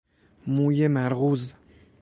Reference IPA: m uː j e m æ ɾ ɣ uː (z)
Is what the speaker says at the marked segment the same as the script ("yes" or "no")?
yes